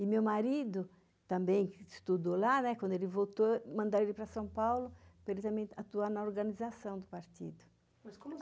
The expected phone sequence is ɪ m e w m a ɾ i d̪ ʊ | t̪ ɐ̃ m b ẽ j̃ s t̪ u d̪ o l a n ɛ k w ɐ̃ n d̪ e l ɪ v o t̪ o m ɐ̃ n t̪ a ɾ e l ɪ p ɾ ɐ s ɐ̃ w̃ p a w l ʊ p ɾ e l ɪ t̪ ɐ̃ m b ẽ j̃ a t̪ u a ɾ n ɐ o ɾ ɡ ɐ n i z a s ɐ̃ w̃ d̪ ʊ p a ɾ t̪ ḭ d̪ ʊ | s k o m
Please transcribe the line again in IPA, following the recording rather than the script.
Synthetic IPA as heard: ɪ m e w m a ɾ i d̪ ʊ | t̪ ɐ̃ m b ẽ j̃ s t̪ u d̪ o l a n ɛ k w ɐ̃ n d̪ e l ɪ v o t̪ o m ɐ̃ n d̪ a ɾ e l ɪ p ɾ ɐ s ɐ̃ w̃ p a w l ʊ p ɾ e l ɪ t̪ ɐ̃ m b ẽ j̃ a t̪ u a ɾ n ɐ o ɾ ɡ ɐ n i z a s ɐ̃ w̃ d̪ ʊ p a ɾ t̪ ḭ d̪ ʊ | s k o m